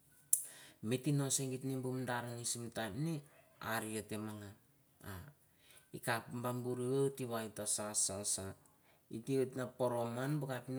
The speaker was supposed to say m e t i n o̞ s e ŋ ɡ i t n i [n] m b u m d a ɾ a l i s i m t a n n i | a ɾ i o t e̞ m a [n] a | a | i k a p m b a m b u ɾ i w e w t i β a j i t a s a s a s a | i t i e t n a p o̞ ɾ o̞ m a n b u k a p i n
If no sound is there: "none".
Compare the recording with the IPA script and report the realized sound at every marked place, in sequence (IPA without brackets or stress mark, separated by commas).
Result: none, ŋ